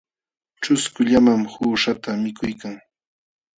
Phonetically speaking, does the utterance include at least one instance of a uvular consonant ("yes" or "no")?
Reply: no